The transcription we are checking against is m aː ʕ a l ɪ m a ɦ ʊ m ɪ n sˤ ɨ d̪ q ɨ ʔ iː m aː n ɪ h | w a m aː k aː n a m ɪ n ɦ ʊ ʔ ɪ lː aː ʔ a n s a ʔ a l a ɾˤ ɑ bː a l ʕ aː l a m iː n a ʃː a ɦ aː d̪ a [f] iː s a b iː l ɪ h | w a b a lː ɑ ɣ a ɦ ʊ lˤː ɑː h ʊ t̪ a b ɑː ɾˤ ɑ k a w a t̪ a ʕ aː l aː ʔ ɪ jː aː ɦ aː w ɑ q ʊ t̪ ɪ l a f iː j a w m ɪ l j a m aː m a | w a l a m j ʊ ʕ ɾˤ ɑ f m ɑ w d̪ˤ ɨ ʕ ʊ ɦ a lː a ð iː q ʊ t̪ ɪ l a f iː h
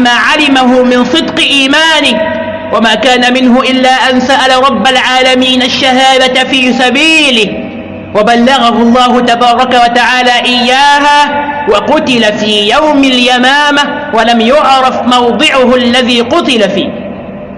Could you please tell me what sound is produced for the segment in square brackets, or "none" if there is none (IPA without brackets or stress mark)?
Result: f